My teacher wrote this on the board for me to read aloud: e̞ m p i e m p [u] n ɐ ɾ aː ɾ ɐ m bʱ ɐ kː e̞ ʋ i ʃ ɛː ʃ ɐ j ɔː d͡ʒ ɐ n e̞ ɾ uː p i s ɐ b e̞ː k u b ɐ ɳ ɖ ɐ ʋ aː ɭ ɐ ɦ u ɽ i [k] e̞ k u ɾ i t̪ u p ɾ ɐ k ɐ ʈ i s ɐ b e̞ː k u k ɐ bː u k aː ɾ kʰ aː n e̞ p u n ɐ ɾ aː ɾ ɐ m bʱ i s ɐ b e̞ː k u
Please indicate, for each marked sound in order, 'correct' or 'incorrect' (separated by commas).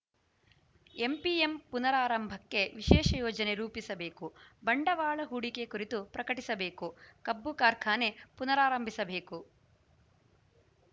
correct, correct